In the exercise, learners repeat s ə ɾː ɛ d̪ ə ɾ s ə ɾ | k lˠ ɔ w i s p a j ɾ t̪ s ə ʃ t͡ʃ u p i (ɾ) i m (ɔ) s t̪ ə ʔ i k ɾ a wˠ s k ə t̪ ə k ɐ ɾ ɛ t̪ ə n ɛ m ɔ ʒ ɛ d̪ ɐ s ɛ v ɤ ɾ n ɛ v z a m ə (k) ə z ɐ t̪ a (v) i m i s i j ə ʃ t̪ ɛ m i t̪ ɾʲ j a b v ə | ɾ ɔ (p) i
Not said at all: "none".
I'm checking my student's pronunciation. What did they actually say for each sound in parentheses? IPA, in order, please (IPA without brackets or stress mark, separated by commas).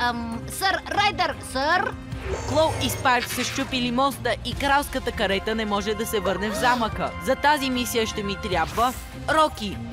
l, ɔ, k, z, k